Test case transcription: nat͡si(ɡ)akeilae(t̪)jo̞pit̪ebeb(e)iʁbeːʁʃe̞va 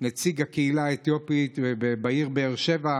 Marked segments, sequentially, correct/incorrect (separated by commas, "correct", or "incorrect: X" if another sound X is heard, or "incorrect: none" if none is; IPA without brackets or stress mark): correct, correct, incorrect: a